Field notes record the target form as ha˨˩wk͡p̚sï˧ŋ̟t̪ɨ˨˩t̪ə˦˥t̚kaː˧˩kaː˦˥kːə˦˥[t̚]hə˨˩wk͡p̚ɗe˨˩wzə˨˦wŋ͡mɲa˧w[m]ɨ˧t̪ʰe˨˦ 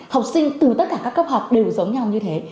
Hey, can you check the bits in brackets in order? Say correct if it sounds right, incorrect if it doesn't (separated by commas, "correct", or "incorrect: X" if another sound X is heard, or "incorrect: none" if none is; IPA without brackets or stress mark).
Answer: incorrect: p̚, incorrect: ɲ